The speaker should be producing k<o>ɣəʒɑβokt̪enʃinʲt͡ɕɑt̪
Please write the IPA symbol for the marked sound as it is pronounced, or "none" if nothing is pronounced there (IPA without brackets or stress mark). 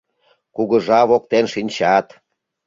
u